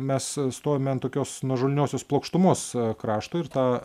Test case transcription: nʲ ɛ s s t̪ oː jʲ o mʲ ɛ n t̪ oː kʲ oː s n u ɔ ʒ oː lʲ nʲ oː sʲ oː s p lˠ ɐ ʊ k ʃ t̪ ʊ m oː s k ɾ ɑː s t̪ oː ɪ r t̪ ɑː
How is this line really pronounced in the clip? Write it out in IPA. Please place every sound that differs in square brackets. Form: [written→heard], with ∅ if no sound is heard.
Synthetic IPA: [nʲ→mʲ] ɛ s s t̪ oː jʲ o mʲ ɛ n t̪ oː kʲ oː s n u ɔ ʒ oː lʲ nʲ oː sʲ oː s p lˠ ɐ ʊ k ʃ t̪ ʊ m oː s k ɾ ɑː [s→ʃ] t̪ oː ɪ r t̪ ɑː